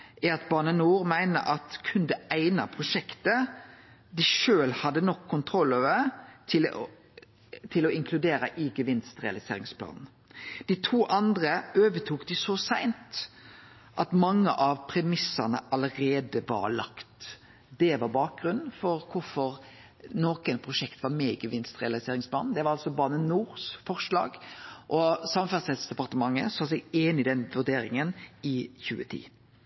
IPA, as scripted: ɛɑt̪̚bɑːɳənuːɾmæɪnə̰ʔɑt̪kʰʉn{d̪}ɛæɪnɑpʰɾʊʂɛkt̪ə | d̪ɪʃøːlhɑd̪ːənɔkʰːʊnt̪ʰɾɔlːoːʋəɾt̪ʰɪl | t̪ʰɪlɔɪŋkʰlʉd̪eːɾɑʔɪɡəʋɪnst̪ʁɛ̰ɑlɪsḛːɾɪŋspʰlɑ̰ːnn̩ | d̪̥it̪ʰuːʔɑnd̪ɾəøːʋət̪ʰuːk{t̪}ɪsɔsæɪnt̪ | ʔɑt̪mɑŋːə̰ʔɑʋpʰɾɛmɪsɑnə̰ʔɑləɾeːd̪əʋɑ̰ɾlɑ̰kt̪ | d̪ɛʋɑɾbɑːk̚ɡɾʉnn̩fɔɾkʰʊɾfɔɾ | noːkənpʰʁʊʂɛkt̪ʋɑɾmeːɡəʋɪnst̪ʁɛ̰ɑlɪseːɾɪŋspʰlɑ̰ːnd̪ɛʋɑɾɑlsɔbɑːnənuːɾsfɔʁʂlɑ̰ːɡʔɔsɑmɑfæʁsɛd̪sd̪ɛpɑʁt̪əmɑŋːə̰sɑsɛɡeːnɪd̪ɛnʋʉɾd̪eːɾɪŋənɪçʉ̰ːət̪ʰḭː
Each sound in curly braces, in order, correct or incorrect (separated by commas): correct, incorrect